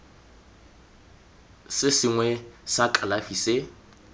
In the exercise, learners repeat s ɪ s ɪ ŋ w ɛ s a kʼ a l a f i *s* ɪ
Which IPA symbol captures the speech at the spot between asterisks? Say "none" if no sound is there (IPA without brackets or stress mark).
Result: s